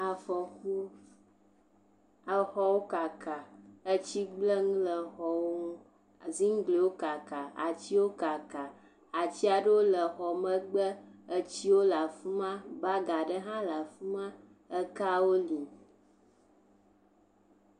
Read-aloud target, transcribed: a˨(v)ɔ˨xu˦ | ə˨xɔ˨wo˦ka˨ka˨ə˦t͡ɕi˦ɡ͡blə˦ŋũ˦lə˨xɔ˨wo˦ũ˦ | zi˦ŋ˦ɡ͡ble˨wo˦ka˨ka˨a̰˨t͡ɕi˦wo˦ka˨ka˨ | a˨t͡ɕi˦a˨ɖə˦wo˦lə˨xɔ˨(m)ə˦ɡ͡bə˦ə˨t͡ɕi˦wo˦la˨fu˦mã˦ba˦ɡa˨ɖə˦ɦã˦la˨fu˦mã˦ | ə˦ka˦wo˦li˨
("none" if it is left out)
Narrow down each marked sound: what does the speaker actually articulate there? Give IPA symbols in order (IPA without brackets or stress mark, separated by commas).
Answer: f, m